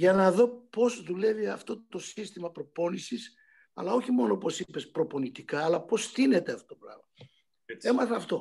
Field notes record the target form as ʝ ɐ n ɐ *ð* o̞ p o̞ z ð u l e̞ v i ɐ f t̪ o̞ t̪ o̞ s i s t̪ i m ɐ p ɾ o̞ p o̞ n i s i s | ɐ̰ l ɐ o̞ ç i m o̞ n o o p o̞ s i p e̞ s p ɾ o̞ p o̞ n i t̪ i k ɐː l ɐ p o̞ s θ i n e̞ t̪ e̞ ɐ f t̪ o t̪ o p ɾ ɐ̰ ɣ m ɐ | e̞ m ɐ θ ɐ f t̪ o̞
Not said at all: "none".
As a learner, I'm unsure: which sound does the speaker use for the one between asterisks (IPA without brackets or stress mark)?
ð